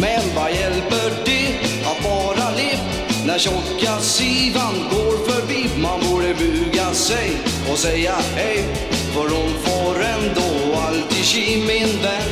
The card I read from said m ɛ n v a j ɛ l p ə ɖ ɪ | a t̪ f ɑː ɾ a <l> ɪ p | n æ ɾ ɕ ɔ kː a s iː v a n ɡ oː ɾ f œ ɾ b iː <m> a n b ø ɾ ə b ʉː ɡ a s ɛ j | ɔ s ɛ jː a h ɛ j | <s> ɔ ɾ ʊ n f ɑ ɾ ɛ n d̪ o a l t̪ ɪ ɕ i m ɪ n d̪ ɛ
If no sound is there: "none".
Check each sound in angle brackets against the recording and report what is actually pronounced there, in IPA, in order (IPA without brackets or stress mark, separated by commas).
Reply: l, m, f